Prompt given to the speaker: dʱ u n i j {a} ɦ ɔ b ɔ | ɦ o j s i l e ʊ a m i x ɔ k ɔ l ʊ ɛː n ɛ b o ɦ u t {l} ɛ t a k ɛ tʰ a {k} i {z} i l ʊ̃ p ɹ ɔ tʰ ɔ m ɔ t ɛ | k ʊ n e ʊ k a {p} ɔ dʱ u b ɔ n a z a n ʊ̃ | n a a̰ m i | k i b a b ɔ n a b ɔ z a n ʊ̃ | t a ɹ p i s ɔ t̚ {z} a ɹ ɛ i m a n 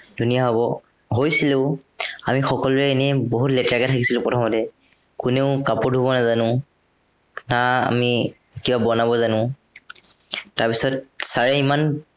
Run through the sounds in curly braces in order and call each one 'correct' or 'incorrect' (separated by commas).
correct, correct, correct, incorrect, correct, incorrect